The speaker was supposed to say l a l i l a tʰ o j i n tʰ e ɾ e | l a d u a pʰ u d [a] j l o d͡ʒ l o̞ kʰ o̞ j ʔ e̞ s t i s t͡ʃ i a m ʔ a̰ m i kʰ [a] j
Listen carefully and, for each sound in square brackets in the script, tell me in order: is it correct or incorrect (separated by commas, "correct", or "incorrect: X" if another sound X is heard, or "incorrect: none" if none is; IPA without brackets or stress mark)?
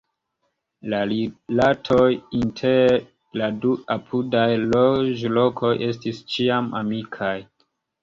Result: correct, correct